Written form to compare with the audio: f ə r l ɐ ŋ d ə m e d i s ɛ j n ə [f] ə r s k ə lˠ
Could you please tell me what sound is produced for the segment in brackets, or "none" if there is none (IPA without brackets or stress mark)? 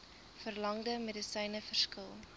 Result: f